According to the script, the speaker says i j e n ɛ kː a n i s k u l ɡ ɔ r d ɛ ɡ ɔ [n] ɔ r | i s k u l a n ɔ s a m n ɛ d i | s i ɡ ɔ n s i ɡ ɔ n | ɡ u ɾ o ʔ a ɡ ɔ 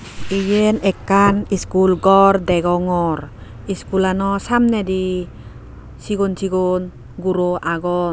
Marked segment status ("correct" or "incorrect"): incorrect